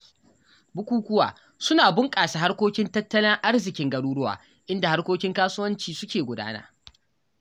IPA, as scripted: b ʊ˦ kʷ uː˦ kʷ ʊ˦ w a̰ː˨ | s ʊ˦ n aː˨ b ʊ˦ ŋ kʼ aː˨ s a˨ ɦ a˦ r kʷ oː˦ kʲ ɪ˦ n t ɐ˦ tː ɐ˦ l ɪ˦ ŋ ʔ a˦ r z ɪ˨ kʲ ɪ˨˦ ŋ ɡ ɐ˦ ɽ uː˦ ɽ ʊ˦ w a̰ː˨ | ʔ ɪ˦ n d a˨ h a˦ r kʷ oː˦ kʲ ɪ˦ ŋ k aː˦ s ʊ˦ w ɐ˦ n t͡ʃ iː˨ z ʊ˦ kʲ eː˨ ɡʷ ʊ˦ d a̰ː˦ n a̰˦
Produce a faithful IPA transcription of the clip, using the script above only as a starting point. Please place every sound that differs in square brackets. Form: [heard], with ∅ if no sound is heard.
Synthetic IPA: b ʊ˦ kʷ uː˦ kʷ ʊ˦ w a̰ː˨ | s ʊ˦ n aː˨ b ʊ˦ ŋ kʼ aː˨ s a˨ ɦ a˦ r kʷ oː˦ kʲ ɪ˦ n t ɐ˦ tː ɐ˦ l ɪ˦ ŋ ʔ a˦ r z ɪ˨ kʲ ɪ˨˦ ŋ ɡ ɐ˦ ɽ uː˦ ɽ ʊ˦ w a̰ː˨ | ʔ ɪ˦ n d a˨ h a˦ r kʷ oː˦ kʲ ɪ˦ ŋ k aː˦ s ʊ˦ w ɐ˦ n t͡ʃ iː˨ [s] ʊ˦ kʲ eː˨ ɡʷ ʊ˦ d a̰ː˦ n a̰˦